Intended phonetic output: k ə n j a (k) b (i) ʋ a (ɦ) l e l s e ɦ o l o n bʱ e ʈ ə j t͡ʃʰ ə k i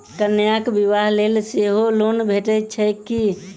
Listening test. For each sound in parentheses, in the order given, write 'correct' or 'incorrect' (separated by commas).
correct, correct, correct